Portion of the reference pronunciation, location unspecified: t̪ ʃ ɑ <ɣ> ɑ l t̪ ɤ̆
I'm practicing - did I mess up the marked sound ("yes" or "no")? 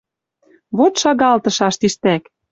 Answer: no